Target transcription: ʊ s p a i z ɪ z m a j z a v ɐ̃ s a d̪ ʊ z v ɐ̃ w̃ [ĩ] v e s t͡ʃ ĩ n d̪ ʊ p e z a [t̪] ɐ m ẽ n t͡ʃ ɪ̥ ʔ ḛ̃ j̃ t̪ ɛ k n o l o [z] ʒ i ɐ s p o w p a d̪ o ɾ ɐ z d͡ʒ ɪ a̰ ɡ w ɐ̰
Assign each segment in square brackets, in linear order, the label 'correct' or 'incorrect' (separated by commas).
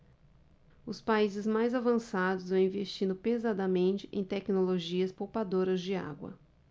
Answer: correct, incorrect, incorrect